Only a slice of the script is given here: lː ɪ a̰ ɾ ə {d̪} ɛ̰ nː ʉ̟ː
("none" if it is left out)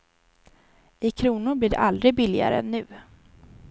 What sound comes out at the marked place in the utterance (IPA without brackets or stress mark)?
none